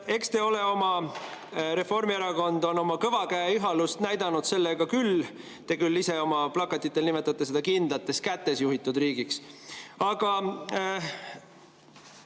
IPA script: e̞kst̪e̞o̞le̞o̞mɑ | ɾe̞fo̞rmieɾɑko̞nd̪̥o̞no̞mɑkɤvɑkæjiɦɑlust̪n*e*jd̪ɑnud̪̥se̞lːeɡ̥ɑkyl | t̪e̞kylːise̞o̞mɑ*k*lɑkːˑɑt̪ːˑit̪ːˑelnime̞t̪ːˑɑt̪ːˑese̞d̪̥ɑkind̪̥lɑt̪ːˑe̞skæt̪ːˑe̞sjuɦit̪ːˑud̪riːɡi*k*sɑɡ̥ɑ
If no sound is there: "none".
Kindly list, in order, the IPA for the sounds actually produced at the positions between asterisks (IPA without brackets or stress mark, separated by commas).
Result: æ, p, k